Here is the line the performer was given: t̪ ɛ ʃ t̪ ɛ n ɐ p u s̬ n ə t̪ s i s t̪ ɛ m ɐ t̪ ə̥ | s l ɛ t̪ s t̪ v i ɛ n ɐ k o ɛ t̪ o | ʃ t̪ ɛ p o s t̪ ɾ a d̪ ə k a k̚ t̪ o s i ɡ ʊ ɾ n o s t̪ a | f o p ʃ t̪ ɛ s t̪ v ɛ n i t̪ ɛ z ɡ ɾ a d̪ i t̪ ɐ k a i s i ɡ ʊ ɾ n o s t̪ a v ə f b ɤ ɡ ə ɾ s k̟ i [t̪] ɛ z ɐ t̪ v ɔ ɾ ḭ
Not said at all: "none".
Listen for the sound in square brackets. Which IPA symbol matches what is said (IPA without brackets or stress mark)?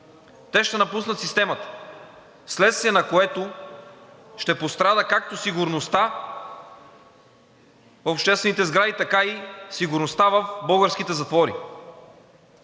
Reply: t̪